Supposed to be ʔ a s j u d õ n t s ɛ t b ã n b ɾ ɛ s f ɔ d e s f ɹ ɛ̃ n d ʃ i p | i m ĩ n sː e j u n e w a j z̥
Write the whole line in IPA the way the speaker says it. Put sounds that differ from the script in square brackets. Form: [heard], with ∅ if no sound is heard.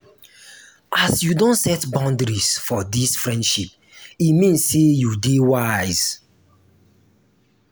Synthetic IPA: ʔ a s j u d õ n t s ɛ t b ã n [d] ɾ [i] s f ɔ d [i] s f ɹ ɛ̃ n d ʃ i p | i m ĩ n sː e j u [d] e w a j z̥